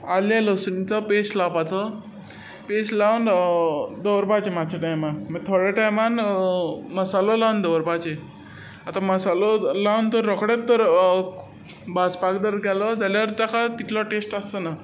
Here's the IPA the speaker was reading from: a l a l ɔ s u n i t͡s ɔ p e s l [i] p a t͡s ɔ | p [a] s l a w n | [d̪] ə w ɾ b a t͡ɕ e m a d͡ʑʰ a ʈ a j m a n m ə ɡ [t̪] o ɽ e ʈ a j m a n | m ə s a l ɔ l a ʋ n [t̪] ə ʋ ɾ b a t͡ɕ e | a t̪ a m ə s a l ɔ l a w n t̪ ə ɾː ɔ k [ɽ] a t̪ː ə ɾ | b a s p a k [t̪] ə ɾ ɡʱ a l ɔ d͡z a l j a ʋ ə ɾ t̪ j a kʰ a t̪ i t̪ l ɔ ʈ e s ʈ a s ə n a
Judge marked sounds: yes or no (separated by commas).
no, no, yes, no, no, yes, no